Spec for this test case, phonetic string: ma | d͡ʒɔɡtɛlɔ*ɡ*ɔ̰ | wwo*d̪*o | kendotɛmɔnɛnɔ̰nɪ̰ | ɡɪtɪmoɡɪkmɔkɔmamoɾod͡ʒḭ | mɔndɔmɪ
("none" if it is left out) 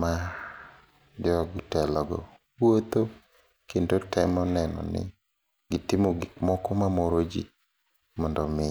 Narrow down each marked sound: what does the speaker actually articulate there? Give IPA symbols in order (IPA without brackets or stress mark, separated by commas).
ɡ, t̪